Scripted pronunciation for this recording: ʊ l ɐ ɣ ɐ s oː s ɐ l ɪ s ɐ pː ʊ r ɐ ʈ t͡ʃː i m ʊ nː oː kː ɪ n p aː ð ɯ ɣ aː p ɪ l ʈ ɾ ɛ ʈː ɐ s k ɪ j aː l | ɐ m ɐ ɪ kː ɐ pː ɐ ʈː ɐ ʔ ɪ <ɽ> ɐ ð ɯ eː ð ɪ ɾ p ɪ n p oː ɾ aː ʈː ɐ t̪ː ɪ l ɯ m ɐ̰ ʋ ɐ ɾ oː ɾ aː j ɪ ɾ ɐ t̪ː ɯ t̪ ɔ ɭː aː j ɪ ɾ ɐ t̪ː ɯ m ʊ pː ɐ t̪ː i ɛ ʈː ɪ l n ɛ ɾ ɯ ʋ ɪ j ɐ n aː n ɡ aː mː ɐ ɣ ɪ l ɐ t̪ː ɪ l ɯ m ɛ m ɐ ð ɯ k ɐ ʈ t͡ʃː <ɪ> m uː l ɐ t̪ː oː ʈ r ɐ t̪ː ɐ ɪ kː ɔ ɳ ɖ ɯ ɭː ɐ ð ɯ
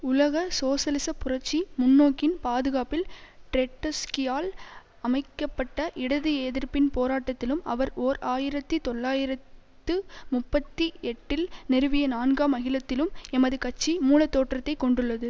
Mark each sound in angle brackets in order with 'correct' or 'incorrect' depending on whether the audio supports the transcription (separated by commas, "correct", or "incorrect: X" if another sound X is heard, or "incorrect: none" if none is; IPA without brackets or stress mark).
correct, incorrect: i